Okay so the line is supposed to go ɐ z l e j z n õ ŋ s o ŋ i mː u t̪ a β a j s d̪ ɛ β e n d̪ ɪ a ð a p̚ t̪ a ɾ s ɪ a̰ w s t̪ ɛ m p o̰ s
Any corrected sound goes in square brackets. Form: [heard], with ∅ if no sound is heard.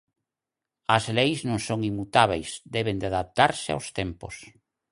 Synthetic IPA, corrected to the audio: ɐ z l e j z n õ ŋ s o ŋ i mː u t̪ a β [e] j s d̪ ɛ β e n d̪ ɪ a ð a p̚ t̪ a ɾ s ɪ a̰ w s t̪ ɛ m p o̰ s